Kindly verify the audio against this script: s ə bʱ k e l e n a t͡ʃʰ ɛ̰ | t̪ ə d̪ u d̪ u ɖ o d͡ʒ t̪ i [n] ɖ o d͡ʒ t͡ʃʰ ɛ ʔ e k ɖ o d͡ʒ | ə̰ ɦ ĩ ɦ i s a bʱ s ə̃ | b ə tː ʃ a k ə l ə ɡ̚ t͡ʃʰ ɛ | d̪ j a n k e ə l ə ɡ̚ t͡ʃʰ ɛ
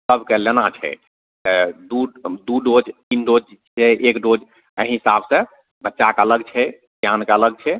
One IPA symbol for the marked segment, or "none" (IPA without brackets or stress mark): n